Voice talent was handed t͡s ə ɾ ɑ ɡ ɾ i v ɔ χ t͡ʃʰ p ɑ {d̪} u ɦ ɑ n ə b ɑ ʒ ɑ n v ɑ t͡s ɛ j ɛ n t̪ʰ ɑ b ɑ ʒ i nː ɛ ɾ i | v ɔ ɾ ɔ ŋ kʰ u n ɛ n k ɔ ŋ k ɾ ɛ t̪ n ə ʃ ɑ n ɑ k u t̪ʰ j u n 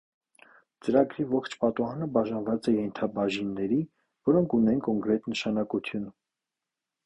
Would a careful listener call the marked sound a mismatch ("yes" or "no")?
yes